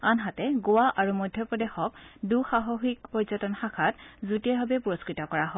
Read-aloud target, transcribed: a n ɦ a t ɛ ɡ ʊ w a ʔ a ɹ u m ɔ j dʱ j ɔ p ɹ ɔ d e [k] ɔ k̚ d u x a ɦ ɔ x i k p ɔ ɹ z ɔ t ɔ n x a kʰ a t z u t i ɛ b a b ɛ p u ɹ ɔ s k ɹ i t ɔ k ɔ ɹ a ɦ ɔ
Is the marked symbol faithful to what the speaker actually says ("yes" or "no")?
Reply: no